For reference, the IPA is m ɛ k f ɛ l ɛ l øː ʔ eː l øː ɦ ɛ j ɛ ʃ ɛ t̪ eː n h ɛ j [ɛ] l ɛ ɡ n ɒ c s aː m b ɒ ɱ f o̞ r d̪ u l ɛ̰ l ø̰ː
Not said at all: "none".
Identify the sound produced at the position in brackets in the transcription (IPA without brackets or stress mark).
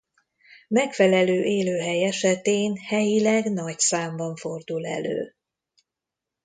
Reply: i